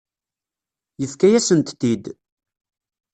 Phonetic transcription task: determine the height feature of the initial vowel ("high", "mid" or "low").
mid